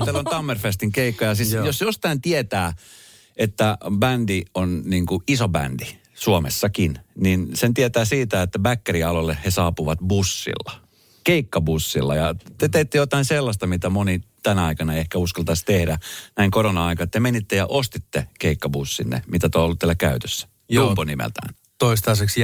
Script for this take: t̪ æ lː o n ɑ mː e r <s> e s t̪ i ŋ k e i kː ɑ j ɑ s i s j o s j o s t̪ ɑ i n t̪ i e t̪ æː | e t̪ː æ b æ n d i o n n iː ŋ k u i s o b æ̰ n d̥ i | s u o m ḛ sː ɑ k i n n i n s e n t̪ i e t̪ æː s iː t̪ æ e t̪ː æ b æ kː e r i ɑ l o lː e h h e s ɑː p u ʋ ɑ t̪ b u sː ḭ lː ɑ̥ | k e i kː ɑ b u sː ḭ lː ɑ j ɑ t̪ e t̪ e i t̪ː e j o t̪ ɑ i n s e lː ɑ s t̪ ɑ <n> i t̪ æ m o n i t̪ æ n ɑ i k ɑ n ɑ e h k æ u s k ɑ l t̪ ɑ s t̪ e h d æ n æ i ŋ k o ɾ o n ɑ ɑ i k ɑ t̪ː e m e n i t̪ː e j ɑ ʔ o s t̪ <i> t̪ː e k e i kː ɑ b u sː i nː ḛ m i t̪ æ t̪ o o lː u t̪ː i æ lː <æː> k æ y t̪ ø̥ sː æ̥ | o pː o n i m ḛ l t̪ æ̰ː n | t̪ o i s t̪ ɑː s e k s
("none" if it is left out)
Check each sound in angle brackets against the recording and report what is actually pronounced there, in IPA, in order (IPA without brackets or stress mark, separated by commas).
f, m, i, æ